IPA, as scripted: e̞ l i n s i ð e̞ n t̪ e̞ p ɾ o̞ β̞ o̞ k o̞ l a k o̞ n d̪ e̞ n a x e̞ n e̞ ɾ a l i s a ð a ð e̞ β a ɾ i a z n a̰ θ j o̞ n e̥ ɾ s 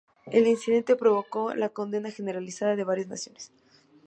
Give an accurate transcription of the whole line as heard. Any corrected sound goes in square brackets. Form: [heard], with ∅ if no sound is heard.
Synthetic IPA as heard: e̞ l i n s i ð e̞ n t̪ e̞ p ɾ o̞ β̞ o̞ k o̞ l a k o̞ n d̪ e̞ n a x e̞ n e̞ ɾ a l i s a ð a ð e̞ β a ɾ [j] a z n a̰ [s] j o̞ n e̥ [∅] s